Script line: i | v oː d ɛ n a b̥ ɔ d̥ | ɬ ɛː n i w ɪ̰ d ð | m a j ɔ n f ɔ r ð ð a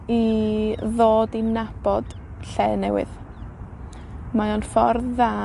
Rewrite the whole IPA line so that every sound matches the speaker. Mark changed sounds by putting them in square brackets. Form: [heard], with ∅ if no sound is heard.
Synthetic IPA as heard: i | [ð] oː d [i] n a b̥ ɔ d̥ | ɬ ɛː n [ɛ] w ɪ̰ [∅] ð | m a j ɔ n f ɔ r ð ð a